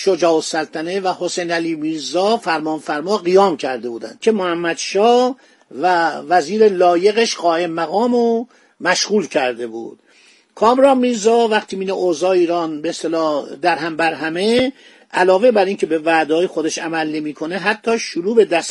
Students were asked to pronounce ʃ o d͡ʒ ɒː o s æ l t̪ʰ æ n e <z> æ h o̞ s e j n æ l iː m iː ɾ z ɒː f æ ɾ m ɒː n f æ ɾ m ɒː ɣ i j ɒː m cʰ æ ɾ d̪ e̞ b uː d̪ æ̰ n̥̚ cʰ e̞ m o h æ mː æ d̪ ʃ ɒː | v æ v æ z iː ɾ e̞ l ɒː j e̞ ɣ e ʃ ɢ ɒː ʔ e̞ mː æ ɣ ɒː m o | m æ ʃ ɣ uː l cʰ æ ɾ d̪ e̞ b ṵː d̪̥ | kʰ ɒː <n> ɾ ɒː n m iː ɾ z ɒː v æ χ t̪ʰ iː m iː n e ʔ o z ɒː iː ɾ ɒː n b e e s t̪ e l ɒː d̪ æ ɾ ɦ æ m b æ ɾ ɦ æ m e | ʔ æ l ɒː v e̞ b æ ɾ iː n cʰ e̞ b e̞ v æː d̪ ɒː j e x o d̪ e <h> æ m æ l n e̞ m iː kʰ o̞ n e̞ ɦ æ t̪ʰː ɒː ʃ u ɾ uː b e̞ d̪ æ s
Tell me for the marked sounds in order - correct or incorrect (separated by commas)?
incorrect, incorrect, incorrect